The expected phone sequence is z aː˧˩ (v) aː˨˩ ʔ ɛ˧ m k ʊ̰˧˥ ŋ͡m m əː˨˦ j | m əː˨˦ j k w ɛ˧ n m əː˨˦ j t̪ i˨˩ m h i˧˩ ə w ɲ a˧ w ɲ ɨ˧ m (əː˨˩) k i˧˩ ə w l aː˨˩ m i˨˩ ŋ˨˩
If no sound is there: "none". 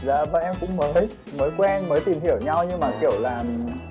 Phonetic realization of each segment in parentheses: v, aː˨˩

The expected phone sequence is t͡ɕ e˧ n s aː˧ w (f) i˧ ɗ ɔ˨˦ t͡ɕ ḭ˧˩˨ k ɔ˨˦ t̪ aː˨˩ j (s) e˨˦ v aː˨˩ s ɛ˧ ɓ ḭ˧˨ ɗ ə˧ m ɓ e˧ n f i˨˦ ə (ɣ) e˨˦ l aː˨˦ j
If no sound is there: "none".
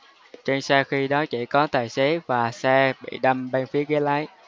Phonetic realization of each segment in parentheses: x, s, ɣ

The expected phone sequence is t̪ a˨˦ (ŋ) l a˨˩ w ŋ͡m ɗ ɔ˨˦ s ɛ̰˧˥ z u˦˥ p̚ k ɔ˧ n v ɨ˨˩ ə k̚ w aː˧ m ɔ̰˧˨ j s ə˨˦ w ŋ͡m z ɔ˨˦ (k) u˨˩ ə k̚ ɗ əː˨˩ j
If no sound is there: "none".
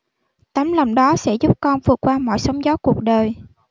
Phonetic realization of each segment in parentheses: m, k

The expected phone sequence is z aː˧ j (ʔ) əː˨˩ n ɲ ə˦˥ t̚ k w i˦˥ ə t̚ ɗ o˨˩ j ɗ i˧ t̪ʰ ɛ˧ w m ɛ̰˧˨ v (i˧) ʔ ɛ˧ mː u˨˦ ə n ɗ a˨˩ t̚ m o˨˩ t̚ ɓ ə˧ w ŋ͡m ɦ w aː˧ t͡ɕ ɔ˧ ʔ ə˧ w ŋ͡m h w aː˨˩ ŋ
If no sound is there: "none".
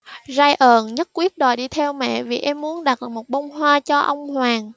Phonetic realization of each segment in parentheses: ʔ, i˨˩

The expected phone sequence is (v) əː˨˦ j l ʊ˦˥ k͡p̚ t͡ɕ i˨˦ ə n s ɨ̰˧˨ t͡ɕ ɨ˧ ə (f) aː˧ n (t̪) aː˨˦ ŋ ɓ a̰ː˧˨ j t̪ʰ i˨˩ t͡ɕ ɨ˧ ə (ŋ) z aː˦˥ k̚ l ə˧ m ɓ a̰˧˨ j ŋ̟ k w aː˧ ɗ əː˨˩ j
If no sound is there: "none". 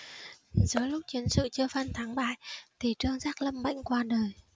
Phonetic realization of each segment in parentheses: z, f, t̪ʰ, ŋ

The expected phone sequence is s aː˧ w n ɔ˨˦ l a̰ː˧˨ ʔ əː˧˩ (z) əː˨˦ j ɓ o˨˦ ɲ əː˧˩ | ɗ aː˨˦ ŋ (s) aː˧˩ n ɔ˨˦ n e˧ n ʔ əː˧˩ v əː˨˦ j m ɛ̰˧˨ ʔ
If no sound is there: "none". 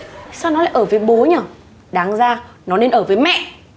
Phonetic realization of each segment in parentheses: v, z

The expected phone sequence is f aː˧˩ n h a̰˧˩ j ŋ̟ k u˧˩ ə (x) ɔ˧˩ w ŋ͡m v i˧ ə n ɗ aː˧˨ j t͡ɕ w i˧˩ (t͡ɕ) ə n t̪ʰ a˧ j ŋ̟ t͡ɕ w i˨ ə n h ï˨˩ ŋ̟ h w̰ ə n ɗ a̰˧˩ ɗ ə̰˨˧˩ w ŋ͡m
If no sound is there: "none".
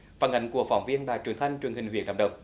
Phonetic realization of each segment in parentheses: f, none

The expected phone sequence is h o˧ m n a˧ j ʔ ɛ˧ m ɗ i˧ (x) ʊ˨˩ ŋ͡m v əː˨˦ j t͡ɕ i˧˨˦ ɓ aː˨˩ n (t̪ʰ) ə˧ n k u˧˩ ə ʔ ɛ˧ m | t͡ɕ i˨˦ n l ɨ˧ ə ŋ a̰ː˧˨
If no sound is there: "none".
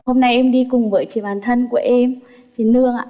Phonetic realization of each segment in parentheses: k, t̪ʰ

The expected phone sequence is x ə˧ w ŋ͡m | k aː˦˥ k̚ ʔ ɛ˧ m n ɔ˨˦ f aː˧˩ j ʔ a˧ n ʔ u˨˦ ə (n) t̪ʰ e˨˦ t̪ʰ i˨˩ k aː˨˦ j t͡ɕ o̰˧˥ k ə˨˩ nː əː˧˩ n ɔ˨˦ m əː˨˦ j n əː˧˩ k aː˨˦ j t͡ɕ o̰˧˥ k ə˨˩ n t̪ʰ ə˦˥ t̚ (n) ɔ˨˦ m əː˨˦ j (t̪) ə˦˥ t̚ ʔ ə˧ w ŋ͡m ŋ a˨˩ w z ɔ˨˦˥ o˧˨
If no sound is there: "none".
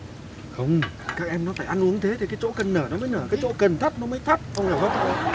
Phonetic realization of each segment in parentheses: ŋ, n, t̪ʰ

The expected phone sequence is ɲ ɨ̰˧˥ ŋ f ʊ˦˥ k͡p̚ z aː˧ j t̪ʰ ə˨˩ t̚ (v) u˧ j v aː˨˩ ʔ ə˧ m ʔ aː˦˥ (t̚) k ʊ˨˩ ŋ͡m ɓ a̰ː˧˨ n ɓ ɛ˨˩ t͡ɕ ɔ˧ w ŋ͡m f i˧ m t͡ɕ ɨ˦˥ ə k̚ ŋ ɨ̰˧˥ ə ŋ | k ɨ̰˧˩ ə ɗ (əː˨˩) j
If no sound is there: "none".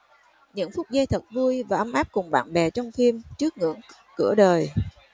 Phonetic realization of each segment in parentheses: v, p̚, əː˨˩

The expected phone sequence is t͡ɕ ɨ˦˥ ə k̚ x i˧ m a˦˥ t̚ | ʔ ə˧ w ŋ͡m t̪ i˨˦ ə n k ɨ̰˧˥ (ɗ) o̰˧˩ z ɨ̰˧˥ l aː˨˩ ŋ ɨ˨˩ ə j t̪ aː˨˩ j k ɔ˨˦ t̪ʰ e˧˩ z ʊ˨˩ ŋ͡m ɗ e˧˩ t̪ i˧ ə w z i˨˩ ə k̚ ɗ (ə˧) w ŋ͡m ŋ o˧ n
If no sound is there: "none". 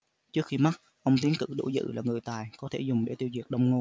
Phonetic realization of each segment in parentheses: ɗ, ə˧

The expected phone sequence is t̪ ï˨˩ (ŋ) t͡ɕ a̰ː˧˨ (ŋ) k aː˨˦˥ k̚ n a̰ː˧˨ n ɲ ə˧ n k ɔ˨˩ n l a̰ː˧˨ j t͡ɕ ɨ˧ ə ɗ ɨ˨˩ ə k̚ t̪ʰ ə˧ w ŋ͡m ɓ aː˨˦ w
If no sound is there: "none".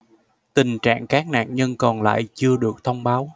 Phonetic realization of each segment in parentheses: ŋ, ŋ

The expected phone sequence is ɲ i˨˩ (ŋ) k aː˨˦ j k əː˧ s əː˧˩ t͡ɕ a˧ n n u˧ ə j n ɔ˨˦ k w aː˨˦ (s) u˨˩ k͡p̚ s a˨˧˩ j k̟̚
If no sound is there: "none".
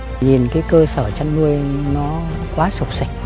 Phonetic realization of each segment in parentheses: n, s

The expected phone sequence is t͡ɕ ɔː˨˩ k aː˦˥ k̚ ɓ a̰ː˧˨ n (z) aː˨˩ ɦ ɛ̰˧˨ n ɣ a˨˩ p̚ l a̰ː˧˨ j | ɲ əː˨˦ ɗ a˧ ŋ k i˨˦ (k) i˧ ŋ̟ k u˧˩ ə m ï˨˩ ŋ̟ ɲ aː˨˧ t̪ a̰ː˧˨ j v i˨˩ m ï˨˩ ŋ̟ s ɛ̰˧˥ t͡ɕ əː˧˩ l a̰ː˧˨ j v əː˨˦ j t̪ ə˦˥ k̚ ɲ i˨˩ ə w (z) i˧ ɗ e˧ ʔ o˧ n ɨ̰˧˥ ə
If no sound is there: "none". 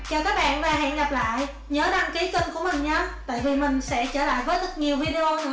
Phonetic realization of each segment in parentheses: v, k, v

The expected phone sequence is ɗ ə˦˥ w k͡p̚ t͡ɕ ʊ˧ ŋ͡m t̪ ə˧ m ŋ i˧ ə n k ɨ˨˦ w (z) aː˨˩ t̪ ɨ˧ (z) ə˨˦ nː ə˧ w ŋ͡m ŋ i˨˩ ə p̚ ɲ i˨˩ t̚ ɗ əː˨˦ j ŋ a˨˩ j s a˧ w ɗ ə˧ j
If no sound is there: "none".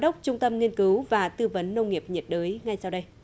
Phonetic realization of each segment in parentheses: v, v

